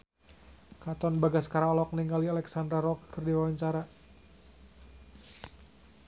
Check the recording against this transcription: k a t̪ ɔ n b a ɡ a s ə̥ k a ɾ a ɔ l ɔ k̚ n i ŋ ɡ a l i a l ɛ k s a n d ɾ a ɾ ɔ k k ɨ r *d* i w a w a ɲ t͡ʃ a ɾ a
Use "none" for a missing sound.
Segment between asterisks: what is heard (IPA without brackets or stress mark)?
d